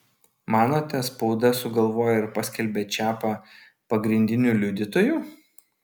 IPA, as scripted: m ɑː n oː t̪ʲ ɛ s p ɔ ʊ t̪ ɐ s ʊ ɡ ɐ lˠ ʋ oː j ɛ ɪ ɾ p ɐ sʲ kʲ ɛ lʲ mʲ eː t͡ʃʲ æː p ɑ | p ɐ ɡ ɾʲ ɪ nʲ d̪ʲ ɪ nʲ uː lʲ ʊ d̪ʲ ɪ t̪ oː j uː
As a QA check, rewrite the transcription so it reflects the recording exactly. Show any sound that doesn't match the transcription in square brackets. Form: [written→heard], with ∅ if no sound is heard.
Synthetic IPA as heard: m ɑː n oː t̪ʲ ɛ s p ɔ ʊ [t̪→d̪] ɐ s ʊ ɡ ɐ lˠ ʋ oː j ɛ ɪ ɾ p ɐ sʲ kʲ ɛ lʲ [mʲ→bʲ] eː t͡ʃʲ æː p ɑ | p ɐ ɡ ɾʲ ɪ nʲ d̪ʲ ɪ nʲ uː lʲ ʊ d̪ʲ ɪ t̪ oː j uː